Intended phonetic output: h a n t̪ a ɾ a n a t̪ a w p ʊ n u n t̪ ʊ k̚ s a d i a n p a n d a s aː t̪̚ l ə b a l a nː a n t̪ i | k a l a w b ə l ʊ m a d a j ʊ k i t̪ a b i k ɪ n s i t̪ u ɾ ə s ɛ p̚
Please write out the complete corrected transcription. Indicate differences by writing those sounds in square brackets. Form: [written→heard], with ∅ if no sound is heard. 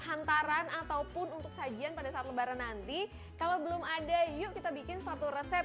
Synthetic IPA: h a n t̪ a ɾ a n a t̪ a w p ʊ n u n t̪ ʊ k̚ s a [d→d͡ʒ] i a n p a [n→∅] d a s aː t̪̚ l ə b a [l→ɾ] a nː a n t̪ i | k a l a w b ə l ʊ m a d a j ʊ k i t̪ a b i k ɪ n s [i→a] t̪ u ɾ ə s ɛ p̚